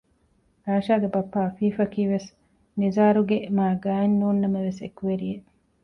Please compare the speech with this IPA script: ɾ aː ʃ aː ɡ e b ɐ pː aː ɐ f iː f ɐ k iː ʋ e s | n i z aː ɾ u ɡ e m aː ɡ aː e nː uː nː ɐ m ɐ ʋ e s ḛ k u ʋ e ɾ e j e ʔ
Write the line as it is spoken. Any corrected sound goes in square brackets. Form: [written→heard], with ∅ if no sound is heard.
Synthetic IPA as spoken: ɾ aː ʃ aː ɡ e b ɐ pː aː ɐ f iː f ɐ k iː ʋ e s | n i z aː ɾ u ɡ e m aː ɡ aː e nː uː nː ɐ m ɐ ʋ e s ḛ k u ʋ e ɾ [e→i] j e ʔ